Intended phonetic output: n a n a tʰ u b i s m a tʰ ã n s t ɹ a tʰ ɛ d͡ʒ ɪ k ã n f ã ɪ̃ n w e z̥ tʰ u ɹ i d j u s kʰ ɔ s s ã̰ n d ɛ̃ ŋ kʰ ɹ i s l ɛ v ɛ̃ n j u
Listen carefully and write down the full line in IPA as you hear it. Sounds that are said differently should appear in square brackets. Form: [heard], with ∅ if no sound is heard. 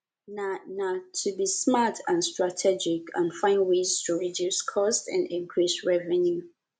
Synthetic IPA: n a n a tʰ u b i s m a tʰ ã n s t ɹ a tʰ ɛ d͡ʒ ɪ k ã n f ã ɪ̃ n w e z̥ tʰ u ɹ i d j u s kʰ ɔ s [t] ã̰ n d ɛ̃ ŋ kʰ ɹ i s [ɹ] ɛ v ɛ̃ n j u